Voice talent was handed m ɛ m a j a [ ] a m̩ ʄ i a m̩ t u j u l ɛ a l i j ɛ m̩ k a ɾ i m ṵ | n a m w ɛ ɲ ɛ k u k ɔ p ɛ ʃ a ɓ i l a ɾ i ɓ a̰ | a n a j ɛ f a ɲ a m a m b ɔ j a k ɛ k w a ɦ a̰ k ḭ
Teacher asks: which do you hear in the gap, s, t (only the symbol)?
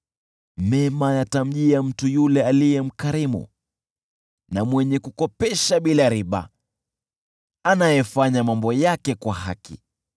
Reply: t